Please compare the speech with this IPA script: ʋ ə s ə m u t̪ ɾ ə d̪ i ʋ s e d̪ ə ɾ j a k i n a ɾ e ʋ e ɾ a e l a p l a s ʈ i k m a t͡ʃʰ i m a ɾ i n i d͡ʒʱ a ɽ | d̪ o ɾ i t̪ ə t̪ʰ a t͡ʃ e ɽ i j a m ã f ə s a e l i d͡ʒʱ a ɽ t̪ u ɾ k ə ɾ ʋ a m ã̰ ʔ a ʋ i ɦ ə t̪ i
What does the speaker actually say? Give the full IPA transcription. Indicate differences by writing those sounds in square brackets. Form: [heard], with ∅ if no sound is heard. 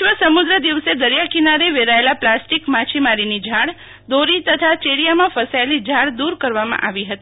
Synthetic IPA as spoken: ʋ ə s ə m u [d̪] ɾ ə d̪ i ʋ s e d̪ ə ɾ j a k i n a ɾ e ʋ e ɾ a e l a p l a s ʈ i k m a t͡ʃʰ i m a ɾ i n i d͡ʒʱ a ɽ | d̪ o ɾ i t̪ ə t̪ʰ a t͡ʃ e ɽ i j a m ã f ə s a e l i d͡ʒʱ a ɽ [d̪] u ɾ k ə ɾ ʋ a m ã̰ ʔ a ʋ i ɦ ə t̪ i